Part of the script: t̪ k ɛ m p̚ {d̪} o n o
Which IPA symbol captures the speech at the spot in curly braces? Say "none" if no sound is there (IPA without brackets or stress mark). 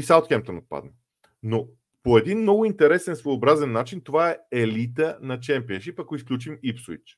t̪